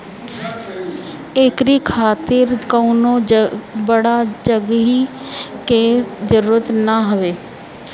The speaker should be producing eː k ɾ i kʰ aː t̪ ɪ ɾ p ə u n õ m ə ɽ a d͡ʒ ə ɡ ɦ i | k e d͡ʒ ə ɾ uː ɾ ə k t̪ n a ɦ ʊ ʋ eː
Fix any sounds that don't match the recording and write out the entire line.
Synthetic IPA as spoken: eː k ɾ i kʰ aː t̪ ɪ ɾ k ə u n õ b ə ɽ a d͡ʒ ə ɡ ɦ i | k e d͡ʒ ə ɾ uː ɾ ə t̪ n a ɦ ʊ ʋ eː